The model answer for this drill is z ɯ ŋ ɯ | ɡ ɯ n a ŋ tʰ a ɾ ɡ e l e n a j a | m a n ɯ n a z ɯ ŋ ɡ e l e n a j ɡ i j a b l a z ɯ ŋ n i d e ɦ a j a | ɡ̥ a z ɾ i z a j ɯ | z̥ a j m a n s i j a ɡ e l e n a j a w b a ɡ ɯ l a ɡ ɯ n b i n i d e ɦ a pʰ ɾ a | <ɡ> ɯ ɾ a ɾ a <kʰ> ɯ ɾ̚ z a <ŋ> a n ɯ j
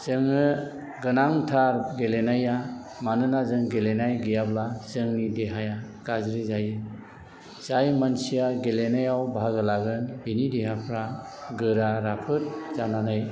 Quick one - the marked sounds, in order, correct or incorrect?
correct, incorrect: pʰ, incorrect: n

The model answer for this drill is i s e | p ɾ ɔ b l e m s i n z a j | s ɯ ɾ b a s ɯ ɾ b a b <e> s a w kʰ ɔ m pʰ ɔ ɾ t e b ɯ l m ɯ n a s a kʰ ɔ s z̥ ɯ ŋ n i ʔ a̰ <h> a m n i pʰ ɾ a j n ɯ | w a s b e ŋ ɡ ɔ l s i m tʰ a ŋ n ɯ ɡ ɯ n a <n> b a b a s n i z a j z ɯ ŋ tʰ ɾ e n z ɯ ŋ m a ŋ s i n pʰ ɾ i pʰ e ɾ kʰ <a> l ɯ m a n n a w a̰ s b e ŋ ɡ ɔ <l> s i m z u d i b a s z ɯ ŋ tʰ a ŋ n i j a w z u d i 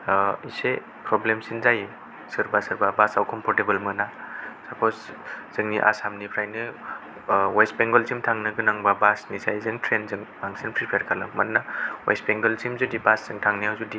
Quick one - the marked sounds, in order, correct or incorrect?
incorrect: a, incorrect: s, incorrect: ŋ, correct, correct

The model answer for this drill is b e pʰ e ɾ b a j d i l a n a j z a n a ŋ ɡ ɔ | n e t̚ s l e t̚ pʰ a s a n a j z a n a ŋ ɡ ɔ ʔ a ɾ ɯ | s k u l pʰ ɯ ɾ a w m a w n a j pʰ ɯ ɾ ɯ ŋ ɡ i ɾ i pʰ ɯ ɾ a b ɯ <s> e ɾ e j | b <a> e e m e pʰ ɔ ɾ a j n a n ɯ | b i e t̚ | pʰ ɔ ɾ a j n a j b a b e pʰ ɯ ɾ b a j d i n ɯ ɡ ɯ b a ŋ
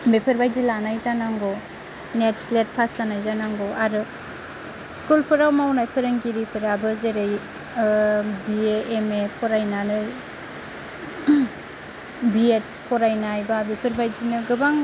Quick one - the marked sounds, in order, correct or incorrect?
incorrect: z, incorrect: i

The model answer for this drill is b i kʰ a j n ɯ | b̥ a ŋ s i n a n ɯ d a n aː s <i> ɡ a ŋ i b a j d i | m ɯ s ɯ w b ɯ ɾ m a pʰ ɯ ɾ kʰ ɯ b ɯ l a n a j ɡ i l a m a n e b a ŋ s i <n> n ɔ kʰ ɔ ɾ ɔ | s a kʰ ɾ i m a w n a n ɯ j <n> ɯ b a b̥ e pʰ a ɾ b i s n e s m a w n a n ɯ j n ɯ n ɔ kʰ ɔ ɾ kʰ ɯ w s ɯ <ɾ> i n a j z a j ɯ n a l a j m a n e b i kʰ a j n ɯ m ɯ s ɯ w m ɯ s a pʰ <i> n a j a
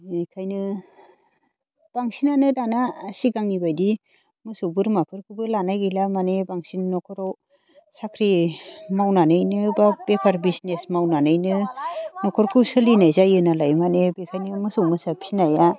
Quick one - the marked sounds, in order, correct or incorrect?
correct, correct, correct, incorrect: l, correct

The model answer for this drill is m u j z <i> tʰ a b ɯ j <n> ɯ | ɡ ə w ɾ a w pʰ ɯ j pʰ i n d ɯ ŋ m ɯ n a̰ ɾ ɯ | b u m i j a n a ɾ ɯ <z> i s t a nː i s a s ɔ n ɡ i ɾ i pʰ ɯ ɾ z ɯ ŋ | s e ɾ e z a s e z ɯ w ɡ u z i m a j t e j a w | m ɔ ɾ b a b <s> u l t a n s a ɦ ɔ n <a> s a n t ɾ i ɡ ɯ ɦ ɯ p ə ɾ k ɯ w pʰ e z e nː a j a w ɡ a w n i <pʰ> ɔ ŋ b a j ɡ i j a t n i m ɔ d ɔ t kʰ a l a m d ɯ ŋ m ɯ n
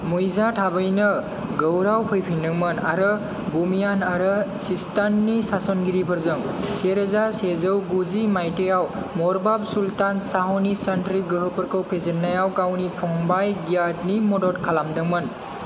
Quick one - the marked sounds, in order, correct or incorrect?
incorrect: a, correct, incorrect: s, correct, incorrect: i, correct

